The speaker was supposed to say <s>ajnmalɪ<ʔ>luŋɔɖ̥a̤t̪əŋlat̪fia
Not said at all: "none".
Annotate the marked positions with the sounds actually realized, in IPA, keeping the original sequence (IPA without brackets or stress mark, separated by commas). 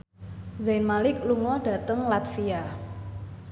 z, k